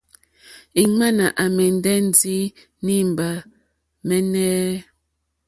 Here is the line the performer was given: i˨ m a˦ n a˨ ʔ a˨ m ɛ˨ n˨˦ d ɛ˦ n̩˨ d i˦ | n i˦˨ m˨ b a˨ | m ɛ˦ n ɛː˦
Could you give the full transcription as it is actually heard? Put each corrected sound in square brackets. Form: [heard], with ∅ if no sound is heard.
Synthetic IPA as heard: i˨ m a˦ n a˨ ʔ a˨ m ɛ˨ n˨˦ d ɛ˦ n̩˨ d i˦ | n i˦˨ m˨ b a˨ | m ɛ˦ n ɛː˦